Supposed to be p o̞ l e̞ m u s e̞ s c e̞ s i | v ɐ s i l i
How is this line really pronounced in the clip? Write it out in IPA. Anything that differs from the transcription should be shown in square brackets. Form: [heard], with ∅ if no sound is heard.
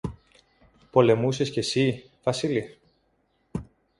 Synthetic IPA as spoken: p o̞ l e̞ m u s e̞ s c e̞ s i | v ɐ s i l i